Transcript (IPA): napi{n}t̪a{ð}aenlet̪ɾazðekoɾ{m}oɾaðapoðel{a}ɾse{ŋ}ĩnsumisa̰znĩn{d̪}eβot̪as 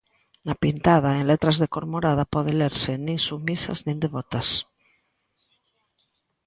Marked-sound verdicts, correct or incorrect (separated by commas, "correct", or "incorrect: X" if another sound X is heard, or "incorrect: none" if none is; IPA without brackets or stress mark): correct, correct, correct, incorrect: e, incorrect: n, correct